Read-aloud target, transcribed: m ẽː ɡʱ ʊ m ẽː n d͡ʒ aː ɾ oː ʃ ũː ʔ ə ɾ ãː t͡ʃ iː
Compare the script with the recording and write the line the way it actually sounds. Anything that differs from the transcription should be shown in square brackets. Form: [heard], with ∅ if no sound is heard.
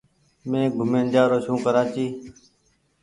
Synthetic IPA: m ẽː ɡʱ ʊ m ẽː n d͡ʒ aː ɾ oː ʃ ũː [k] ə ɾ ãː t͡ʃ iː

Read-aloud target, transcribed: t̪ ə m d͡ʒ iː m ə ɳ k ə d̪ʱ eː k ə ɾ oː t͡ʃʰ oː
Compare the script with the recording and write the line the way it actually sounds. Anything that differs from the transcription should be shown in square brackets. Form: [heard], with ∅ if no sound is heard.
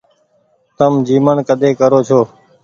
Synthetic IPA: t̪ ə m d͡ʒ iː m ə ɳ k ə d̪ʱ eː k ə ɾ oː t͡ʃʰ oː

